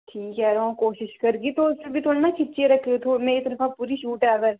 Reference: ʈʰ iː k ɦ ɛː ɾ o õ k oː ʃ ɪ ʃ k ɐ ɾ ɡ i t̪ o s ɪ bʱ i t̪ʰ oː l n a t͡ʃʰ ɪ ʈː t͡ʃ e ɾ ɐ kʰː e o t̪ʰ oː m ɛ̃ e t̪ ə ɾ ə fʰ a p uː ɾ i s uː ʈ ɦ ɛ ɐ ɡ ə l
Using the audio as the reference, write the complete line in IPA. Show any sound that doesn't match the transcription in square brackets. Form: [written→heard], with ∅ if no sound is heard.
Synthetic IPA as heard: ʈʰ iː k ɦ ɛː ɾ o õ k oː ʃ ɪ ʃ k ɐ ɾ ɡ i t̪ o s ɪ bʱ i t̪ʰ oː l n a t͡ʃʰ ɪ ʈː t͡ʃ e ɾ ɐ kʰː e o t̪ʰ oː m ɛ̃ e t̪ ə ɾ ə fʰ a p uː ɾ i [s→ʃ] uː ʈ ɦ ɛ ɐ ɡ ə [l→ɾ]